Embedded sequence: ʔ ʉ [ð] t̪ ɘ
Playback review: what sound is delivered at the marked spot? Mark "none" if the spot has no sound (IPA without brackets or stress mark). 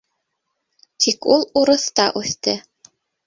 θ